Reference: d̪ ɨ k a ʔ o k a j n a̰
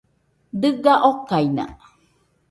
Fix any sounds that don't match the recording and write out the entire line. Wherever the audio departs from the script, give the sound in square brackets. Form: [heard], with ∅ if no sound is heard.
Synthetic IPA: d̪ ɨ [ɡ] a ʔ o k a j n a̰